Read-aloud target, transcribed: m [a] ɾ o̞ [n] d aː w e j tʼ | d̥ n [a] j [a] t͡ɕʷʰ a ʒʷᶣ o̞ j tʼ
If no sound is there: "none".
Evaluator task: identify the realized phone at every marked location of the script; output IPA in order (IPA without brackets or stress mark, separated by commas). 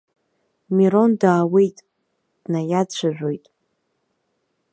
i, n, a, a